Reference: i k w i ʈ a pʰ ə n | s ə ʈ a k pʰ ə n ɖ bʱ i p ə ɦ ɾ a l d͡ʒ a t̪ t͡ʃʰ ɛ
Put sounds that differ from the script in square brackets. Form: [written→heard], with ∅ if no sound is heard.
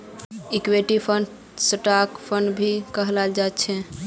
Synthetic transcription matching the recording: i k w [i→e] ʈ [a→i] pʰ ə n | s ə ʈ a k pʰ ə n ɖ bʱ i [p→k] ə ɦ [ɾ→l] a l d͡ʒ a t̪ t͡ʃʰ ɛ